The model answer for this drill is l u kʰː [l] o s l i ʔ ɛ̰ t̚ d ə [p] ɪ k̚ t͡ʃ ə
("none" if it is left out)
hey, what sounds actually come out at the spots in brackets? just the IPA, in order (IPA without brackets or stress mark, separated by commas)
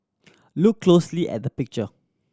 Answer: l, p